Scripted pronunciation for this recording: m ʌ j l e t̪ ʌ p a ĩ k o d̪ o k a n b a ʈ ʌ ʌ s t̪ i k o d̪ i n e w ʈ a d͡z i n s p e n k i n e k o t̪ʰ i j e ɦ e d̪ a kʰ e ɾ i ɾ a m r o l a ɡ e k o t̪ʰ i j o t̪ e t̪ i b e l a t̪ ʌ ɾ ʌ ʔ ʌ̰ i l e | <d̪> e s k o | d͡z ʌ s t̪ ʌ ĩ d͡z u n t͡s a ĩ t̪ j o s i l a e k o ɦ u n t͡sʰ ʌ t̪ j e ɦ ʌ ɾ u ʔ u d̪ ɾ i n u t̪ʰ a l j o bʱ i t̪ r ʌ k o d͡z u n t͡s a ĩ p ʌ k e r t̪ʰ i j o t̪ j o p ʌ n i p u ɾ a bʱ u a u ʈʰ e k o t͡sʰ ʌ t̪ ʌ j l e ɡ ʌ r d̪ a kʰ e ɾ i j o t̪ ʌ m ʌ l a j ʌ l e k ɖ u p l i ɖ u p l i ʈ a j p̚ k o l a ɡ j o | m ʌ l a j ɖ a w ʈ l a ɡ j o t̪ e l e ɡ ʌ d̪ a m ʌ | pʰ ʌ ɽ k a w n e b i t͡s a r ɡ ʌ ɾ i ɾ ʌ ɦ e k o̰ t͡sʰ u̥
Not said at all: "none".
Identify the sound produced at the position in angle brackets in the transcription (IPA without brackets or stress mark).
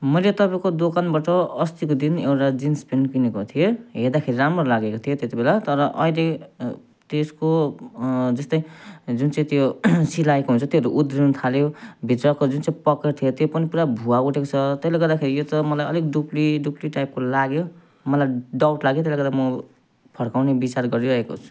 t̪